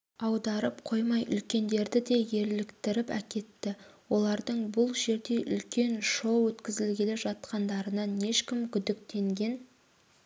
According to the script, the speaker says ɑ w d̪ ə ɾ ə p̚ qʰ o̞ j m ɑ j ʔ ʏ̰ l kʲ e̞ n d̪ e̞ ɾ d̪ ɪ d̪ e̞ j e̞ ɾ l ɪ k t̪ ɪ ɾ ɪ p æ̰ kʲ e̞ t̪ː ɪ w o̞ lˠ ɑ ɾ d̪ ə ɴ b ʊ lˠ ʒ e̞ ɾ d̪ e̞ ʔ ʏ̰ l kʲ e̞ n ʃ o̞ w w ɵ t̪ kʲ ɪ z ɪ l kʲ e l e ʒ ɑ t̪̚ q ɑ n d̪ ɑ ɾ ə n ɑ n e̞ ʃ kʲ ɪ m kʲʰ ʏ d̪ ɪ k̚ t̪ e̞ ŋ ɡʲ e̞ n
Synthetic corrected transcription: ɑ w d̪ ɑ ɾ ə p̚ qʰ o̞ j m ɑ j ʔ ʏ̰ l kʲ e̞ n d̪ e̞ ɾ d̪ ɪ d̪ e̞ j e̞ ɾ l ɪ k t̪ ɪ ɾ ɪ p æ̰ kʲ e̞ t̪ː ɪ w o̞ lˠ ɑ ɾ d̪ ə ɴ b ʊ lˠ ʒ e̞ ɾ d̪ e̞ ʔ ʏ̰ l kʲ e̞ n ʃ o̞ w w ɵ t̪ kʲ ɪ z ɪ l ɡʲ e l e ʒ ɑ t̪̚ q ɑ n d̪ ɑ ɾ ə n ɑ n e̞ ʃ kʲ ɪ m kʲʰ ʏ d̪ ɪ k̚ t̪ e̞ ŋ ɡʲ e̞ n